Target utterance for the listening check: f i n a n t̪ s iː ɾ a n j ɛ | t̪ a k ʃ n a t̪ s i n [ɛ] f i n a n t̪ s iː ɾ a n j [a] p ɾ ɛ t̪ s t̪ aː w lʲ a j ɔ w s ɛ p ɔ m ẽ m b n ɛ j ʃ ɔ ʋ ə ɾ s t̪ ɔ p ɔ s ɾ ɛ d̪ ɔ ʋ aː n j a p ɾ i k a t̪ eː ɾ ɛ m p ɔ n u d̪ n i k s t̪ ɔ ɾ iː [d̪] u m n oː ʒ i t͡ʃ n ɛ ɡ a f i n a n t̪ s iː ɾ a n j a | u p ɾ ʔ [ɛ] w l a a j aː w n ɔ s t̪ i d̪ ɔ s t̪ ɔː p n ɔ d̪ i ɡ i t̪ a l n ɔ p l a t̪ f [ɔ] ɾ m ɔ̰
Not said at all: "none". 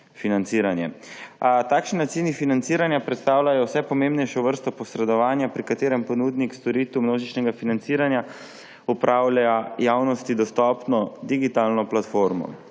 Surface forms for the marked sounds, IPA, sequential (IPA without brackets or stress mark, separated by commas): i, a, t̪, a, o